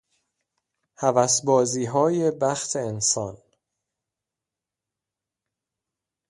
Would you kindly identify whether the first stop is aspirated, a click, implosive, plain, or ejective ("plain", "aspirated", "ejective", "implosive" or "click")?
plain